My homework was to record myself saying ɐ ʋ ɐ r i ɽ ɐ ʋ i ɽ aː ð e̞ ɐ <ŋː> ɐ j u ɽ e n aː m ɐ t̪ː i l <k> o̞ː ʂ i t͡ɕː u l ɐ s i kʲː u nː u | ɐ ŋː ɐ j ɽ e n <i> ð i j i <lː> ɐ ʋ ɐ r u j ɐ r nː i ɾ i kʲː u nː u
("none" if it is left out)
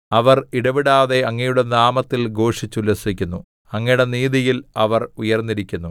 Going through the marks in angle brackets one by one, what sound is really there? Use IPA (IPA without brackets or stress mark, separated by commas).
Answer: ŋː, ɡ, iː, l